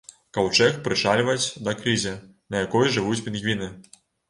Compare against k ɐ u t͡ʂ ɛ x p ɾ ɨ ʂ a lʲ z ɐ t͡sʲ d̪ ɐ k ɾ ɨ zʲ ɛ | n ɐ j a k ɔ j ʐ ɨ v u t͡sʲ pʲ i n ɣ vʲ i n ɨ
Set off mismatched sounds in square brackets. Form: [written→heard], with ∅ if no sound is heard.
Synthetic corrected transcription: k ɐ [u→w] t͡ʂ ɛ x p ɾ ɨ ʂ a lʲ [z→v] ɐ t͡sʲ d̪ ɐ k ɾ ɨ zʲ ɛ | n ɐ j a k ɔ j ʐ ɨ v u t͡sʲ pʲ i n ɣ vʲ i n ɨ